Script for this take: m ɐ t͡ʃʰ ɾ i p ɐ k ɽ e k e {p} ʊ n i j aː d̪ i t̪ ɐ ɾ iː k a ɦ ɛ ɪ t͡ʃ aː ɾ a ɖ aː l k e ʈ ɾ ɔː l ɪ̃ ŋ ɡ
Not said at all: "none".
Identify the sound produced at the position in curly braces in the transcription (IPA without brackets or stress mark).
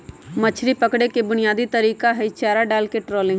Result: b